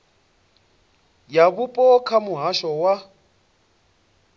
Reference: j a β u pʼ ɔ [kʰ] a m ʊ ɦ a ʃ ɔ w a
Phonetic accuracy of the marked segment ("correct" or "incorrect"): correct